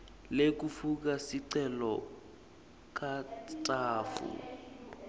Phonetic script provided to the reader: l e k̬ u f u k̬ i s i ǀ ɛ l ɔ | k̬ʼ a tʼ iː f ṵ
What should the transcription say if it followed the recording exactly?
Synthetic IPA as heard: l e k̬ u f u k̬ a s i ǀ ɛ l ɔ | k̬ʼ a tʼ aː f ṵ